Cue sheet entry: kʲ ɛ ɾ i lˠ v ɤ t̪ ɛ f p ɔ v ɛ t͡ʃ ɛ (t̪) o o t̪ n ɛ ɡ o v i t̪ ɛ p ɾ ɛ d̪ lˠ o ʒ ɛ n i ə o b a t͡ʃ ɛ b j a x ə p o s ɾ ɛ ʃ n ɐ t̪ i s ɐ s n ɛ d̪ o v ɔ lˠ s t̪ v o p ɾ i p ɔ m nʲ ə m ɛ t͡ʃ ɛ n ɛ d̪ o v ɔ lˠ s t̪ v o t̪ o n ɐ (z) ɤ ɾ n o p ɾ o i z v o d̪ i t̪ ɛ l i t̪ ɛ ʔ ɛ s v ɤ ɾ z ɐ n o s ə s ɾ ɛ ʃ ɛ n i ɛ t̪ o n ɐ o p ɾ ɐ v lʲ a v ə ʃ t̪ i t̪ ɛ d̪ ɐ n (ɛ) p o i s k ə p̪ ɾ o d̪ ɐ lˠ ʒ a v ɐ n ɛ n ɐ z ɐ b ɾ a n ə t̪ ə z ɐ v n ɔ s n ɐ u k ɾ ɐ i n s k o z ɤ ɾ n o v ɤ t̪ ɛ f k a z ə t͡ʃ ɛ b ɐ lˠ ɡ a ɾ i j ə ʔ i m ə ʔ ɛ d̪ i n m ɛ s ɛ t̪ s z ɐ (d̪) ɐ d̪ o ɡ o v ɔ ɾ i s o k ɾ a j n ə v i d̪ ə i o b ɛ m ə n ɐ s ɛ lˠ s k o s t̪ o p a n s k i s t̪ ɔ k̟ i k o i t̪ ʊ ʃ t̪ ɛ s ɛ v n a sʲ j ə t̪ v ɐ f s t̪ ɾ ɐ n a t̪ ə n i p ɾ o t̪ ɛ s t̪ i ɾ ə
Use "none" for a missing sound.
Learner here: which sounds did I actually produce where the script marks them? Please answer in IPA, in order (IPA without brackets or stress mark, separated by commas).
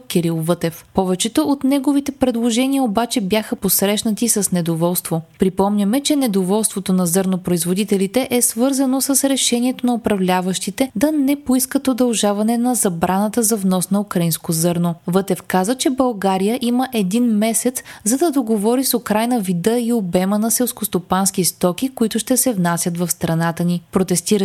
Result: t̪, z, ɛ, d̪